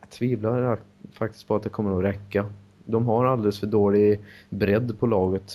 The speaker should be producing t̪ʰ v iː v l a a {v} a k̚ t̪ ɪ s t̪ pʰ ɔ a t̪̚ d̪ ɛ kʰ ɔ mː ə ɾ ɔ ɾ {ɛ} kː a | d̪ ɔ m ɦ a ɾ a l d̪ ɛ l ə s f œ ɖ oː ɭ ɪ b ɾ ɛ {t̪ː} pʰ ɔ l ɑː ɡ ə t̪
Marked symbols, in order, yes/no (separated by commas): no, yes, no